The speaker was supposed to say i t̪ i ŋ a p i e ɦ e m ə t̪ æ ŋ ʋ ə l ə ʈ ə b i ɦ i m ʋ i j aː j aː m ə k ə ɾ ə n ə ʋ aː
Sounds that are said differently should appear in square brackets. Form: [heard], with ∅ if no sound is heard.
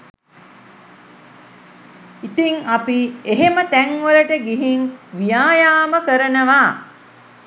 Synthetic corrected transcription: i t̪ i ŋ a p i e ɦ e m ə t̪ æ ŋ ʋ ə l ə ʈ ə [ɡ] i ɦ i [ŋ] ʋ i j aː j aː m ə k ə ɾ ə n ə ʋ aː